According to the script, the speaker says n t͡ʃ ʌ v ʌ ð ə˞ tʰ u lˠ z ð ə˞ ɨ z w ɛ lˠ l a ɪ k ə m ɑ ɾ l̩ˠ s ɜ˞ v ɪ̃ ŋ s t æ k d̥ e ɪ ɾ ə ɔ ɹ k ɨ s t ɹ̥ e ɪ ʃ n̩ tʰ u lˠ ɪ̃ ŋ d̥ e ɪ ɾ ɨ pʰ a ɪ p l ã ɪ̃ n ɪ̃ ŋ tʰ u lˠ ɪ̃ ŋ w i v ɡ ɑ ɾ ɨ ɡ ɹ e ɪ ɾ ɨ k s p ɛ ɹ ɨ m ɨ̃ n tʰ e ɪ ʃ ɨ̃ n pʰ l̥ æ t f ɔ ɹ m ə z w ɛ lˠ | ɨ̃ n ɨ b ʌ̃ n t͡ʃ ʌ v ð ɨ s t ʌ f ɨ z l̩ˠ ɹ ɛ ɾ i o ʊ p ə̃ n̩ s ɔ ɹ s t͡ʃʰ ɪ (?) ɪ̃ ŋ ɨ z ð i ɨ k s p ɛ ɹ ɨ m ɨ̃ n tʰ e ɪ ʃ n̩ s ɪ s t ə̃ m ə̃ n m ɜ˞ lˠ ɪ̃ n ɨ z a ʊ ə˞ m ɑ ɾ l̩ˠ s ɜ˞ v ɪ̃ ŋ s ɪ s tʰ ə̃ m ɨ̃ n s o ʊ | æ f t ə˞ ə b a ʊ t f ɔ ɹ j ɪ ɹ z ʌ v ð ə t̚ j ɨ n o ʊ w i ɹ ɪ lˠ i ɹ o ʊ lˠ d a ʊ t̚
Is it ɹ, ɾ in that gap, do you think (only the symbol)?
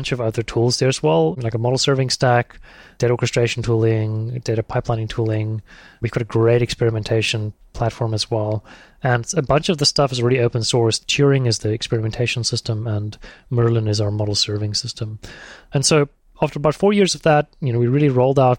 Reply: ɹ